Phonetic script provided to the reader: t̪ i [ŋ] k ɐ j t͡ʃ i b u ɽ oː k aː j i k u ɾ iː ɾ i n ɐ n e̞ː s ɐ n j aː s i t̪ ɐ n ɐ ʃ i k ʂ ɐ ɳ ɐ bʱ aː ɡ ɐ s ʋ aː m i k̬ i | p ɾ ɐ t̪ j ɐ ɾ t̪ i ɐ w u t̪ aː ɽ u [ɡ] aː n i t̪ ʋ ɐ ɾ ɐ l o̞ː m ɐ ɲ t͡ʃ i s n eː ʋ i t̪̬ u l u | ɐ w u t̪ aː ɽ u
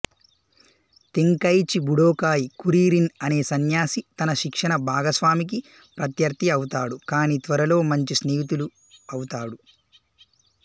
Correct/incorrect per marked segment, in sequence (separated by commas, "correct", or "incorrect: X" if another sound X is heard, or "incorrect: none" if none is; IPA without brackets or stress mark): correct, incorrect: k